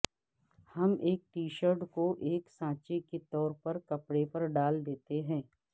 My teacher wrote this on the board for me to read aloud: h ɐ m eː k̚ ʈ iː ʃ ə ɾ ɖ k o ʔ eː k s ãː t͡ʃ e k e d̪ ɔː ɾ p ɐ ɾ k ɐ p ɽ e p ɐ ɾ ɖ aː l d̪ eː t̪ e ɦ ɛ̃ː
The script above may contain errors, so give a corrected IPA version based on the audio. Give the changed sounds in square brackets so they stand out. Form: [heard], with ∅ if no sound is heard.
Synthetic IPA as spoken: h ɐ m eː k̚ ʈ iː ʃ ə ɾ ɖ k o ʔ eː k s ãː t͡ʃ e k e [t̪] ɔː ɾ p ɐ ɾ k ɐ p ɽ e p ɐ ɾ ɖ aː l d̪ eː t̪ e ɦ ɛ̃ː